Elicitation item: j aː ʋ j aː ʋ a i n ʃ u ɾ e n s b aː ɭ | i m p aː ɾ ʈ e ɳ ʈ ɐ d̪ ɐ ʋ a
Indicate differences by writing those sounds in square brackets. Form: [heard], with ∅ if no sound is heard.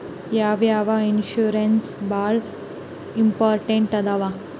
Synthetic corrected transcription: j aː ʋ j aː ʋ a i n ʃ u ɾ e n s b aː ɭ | i m p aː ɾ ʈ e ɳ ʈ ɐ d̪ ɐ ʋ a